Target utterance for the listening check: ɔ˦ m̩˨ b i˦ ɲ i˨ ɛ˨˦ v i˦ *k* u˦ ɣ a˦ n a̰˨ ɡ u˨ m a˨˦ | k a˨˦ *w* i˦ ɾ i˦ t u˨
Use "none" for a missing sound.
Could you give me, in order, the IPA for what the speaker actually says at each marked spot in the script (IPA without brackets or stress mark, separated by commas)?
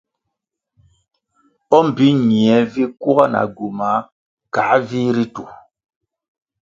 k, v